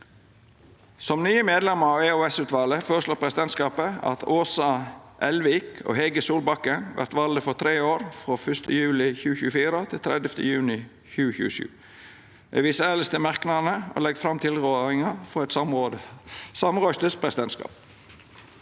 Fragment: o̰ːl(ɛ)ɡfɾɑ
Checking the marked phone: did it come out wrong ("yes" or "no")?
no